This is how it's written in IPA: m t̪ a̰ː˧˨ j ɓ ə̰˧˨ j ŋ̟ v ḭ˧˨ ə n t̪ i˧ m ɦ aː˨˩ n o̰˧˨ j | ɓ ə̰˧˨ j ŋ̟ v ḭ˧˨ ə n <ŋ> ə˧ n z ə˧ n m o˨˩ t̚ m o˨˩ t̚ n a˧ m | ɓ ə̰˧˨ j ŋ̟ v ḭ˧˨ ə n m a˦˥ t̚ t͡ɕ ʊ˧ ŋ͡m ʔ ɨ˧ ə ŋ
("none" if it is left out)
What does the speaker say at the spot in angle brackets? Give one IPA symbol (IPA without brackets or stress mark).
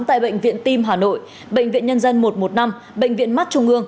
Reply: ɲ